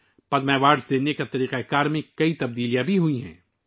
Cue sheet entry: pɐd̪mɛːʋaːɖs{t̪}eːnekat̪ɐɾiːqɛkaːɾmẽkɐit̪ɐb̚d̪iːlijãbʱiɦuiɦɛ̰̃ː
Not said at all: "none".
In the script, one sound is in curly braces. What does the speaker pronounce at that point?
d̪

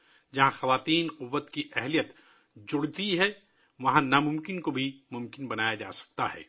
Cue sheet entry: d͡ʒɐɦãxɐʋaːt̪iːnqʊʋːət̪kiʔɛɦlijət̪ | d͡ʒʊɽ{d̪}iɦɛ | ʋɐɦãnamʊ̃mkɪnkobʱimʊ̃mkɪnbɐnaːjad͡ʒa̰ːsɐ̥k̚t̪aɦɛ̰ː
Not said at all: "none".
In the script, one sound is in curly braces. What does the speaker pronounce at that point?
t̪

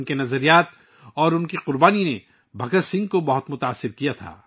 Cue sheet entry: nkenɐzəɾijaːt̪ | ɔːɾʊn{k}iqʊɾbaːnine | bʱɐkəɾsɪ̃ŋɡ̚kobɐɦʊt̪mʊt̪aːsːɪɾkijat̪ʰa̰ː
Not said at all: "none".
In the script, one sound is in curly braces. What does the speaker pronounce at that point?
k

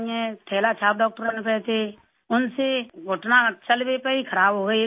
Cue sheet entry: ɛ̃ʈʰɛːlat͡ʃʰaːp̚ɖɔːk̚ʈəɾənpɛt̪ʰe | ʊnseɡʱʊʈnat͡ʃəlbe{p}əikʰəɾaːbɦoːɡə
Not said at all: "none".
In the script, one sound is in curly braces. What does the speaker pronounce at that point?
p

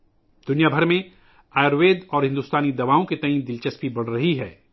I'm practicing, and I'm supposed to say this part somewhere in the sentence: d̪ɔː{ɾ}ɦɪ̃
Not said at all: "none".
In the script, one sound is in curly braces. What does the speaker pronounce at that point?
ɾ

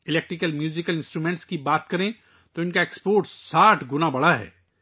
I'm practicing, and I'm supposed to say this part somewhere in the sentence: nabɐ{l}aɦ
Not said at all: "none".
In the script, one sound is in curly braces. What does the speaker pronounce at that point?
ɽ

